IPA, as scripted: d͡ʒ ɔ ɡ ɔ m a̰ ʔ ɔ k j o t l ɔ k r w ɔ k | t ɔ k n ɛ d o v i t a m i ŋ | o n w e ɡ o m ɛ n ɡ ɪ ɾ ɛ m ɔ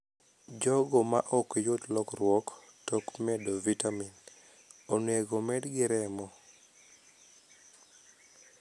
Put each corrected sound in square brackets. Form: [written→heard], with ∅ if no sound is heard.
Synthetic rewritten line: d͡ʒ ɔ ɡ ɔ m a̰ ʔ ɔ k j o t l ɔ k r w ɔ k | t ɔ k [n→m] ɛ d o v i t a m i [ŋ→n] | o n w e ɡ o m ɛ [n→d] ɡ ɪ ɾ ɛ m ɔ